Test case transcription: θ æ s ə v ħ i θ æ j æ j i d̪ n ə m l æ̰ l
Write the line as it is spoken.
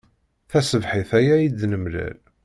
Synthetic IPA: θ æ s ə v ħ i θ æ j æ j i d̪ n ə m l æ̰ l